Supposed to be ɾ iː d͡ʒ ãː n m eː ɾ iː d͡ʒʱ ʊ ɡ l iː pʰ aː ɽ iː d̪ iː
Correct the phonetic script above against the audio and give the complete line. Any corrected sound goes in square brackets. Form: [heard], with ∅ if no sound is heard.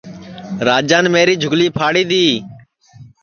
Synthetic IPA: ɾ [aː] d͡ʒ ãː n m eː ɾ iː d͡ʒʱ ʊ ɡ l iː pʰ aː ɽ iː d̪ iː